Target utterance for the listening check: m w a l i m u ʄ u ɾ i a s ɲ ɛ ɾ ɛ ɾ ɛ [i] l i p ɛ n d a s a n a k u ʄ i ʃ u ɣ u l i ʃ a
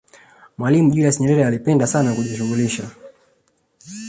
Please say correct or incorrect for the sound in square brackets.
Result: incorrect